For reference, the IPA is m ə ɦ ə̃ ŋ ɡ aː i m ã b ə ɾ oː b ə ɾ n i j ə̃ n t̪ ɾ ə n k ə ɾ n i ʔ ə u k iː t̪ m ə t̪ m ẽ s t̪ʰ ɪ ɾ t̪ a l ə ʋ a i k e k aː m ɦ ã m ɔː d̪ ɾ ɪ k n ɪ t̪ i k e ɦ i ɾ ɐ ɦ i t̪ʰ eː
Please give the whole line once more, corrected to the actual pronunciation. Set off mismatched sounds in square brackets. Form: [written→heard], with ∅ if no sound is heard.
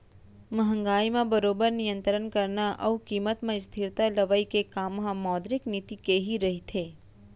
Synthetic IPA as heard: m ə ɦ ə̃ ŋ ɡ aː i m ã b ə ɾ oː b ə ɾ n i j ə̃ n t̪ ɾ ə n k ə ɾ n [i→a] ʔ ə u k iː [t̪→∅] m ə t̪ m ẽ s t̪ʰ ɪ ɾ t̪ a l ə ʋ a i k e k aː m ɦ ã m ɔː d̪ ɾ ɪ k n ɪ t̪ i k e ɦ i ɾ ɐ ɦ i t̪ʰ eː